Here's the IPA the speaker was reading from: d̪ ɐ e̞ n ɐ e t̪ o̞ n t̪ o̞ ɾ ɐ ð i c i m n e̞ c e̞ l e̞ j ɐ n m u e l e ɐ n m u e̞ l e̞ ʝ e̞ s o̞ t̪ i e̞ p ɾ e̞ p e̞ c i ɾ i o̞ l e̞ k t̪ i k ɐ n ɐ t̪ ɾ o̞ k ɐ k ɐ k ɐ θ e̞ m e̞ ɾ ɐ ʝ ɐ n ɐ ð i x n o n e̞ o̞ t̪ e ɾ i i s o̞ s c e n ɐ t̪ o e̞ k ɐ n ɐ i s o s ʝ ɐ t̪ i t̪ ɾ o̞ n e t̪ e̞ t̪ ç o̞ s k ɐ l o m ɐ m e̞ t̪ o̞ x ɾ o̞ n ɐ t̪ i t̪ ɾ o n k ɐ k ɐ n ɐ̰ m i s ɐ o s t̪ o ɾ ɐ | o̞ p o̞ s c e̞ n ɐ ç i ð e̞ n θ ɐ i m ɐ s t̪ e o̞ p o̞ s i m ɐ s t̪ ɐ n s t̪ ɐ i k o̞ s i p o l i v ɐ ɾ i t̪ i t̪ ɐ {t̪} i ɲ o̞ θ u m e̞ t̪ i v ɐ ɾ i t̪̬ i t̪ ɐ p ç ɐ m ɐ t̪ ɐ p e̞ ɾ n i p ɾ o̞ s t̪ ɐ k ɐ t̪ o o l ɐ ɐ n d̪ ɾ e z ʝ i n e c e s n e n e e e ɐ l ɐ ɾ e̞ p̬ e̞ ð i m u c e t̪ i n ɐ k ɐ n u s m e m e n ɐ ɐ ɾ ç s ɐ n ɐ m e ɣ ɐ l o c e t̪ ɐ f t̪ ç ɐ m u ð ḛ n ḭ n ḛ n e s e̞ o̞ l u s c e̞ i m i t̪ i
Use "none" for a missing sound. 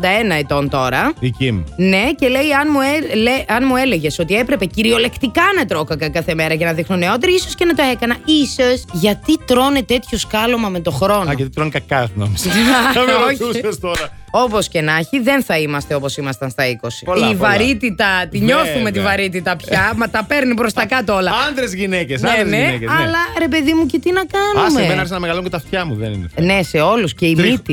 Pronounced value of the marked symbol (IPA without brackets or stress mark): t̪